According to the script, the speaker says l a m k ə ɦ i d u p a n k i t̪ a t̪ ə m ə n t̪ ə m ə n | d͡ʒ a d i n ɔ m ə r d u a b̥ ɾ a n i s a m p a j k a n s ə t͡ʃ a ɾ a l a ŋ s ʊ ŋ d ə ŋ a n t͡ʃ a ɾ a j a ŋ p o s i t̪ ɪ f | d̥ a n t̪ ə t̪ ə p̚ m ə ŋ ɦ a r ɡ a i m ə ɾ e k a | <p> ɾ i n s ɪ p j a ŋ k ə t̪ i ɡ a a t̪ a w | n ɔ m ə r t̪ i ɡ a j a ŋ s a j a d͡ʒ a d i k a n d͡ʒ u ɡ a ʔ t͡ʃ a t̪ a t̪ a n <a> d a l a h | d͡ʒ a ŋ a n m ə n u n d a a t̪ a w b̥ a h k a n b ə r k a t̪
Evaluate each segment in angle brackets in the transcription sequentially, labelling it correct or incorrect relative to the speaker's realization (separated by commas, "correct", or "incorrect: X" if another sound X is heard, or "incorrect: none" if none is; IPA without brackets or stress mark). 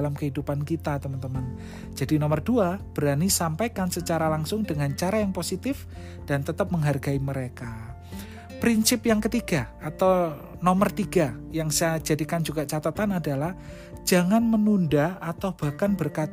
correct, correct